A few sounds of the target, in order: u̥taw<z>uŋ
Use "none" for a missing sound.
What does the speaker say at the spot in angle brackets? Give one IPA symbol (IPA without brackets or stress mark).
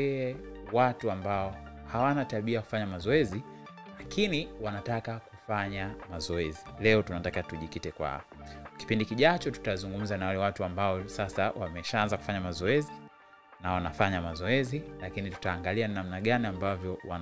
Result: z